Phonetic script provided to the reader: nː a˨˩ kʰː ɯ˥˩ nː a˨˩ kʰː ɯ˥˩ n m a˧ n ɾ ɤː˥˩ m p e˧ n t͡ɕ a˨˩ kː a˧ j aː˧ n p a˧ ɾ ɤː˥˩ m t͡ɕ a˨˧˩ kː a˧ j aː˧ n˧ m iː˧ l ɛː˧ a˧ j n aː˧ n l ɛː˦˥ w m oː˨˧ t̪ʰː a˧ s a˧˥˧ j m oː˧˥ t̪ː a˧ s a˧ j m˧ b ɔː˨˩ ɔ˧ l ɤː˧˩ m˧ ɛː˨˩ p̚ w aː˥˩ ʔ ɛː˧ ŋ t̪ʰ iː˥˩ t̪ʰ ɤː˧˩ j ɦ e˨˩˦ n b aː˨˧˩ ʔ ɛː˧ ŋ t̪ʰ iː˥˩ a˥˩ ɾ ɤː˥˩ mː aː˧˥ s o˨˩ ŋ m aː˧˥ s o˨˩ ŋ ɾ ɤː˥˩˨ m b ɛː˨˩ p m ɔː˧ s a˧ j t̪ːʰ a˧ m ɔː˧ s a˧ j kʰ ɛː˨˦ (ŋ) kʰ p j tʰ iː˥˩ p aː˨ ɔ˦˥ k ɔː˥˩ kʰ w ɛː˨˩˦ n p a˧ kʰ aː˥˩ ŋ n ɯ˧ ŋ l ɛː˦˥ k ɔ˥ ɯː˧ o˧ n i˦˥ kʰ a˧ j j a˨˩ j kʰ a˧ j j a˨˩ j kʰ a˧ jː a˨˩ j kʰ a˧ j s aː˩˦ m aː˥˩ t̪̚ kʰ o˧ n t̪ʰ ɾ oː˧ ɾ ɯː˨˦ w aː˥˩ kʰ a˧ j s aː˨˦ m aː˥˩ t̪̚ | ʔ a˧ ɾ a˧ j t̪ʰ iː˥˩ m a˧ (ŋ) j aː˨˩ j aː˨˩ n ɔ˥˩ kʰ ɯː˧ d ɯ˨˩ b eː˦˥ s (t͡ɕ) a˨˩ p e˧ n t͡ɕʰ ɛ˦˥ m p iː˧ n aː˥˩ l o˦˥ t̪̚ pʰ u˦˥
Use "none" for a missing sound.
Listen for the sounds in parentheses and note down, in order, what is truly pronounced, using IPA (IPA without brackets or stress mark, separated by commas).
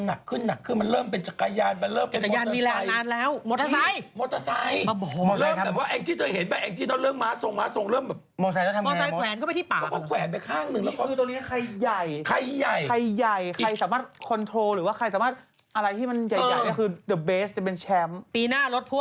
n, n, t͡ɕ